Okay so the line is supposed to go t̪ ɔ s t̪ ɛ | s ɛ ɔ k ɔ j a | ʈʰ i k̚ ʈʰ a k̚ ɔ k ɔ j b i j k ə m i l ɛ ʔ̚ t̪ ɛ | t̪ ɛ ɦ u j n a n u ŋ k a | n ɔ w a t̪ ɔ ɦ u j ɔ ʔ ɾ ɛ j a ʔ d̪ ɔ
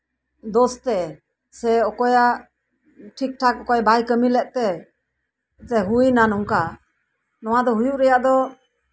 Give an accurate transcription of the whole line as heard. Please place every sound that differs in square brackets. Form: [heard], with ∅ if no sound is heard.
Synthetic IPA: [d̪] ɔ s t̪ ɛ | s ɛ ɔ k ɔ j a | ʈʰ i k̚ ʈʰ a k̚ ɔ k ɔ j b [a] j k ə m i l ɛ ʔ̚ t̪ ɛ | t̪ ɛ ɦ u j n a n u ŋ k a | n ɔ w a [d̪] ɔ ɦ u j [u] ʔ ɾ ɛ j a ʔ d̪ ɔ